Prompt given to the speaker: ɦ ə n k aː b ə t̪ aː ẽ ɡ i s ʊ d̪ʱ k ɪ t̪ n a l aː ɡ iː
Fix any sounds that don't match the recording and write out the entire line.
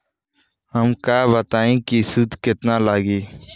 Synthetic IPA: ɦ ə m k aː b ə t̪ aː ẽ k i s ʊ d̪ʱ k ɪ t̪ n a l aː ɡ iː